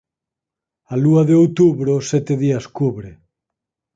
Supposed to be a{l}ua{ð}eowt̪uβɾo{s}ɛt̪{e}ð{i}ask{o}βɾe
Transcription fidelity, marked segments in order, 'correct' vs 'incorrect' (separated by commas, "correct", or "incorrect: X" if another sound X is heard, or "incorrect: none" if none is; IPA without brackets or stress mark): correct, correct, correct, correct, correct, incorrect: u